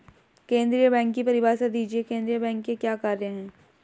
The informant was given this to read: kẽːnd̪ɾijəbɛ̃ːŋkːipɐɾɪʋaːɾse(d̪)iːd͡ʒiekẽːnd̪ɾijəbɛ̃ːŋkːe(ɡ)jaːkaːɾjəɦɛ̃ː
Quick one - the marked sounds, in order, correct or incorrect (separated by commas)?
correct, incorrect